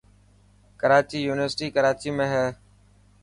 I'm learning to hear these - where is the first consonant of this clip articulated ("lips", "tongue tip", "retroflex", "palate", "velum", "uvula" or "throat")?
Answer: velum